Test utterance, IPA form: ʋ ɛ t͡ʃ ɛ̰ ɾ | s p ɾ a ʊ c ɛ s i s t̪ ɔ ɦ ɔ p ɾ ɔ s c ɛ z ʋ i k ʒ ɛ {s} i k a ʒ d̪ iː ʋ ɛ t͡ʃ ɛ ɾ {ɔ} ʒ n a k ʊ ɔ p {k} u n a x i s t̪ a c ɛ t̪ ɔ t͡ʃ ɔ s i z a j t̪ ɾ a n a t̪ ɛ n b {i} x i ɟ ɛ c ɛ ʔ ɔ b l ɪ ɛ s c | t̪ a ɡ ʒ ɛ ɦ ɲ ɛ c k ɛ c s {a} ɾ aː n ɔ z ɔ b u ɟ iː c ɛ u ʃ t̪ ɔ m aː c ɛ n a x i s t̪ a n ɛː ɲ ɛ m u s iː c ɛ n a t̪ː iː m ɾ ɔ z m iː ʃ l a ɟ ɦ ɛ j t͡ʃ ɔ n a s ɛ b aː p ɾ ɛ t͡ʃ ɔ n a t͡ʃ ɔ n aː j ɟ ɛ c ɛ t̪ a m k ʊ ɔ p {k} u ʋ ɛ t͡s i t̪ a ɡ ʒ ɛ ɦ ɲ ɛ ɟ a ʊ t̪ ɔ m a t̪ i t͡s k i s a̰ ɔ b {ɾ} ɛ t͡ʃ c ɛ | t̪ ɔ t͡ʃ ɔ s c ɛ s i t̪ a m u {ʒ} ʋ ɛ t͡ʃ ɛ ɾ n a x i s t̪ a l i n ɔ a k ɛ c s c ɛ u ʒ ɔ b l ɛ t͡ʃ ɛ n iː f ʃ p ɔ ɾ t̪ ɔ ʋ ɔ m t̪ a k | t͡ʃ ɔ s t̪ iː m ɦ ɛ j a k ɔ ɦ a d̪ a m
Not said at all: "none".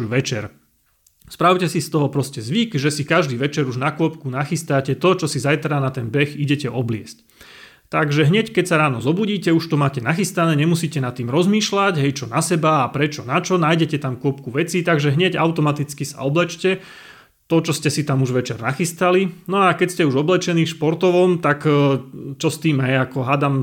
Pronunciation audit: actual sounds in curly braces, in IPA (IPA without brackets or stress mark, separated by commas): s, u, k, ɛ, a, k, l, ʒ